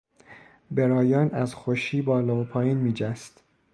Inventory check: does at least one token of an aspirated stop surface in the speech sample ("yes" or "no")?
yes